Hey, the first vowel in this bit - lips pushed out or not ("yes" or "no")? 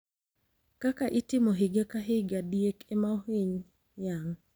no